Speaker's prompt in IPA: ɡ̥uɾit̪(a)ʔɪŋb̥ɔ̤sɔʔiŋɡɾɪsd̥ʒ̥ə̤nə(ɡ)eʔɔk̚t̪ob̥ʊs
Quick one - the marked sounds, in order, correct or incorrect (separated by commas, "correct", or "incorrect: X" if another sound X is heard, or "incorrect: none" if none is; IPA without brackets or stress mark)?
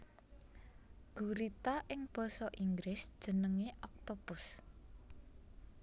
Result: correct, incorrect: ŋ